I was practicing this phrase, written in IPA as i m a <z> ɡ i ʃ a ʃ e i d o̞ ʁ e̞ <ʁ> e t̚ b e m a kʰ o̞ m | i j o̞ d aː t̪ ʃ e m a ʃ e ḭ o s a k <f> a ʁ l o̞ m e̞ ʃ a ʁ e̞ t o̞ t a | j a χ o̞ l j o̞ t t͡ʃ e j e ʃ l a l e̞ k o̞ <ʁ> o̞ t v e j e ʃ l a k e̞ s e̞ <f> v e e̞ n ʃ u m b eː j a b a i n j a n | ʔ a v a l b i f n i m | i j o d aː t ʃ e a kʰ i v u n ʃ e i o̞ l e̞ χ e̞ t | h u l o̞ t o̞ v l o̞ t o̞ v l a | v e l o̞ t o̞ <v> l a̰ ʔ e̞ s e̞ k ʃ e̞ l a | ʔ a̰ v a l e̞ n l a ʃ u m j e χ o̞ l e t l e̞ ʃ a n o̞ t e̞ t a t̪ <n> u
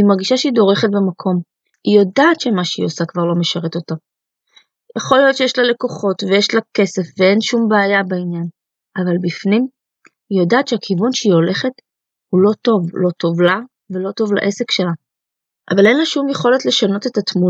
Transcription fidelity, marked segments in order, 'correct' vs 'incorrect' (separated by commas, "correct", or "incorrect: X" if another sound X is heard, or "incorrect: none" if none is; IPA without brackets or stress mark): incorrect: ʁ, incorrect: χ, incorrect: v, incorrect: χ, correct, correct, incorrect: m